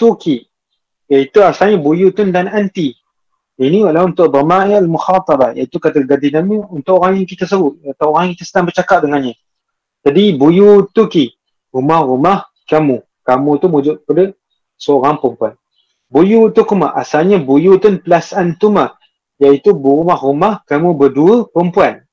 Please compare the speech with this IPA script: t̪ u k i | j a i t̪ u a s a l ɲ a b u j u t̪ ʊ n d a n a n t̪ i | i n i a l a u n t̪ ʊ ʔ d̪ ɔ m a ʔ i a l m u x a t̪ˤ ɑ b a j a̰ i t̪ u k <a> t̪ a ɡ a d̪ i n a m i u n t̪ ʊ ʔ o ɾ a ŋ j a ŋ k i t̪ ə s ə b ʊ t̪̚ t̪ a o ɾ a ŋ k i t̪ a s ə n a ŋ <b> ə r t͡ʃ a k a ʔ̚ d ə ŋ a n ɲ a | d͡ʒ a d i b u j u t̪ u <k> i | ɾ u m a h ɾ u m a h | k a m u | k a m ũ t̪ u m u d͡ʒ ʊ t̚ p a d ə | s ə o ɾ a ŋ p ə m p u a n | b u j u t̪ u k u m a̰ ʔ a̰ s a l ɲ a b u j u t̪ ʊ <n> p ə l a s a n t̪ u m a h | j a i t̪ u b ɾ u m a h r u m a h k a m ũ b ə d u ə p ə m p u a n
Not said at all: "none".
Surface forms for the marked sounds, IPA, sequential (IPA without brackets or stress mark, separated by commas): a, b, k, n